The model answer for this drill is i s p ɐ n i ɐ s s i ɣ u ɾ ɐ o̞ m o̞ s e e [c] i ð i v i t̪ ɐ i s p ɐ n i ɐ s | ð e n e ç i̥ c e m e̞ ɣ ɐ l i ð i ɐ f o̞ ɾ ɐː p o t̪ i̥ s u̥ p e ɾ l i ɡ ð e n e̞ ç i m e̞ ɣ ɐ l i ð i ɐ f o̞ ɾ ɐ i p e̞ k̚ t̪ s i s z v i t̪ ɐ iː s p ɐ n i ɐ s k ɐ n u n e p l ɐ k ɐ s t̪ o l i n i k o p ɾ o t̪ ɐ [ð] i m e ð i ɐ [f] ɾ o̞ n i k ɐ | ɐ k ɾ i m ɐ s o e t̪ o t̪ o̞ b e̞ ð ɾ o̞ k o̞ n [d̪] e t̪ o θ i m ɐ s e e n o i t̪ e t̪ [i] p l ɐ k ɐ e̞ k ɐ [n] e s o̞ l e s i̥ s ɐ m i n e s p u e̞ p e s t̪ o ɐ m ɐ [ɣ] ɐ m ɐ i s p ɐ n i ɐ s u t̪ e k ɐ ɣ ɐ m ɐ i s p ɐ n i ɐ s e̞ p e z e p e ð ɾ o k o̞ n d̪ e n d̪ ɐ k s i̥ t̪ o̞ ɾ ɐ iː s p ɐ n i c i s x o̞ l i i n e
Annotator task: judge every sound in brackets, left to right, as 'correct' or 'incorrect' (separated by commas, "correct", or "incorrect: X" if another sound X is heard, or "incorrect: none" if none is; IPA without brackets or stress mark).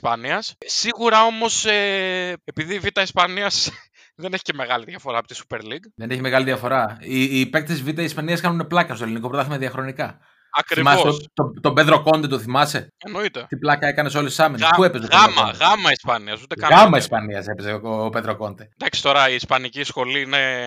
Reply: incorrect: p, incorrect: θ, incorrect: x, correct, correct, correct, correct